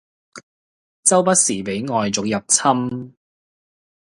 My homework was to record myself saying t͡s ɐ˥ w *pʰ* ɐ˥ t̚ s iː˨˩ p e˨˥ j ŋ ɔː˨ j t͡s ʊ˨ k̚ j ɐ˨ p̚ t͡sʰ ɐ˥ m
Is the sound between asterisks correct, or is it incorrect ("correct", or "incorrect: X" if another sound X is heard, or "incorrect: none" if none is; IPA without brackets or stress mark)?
incorrect: p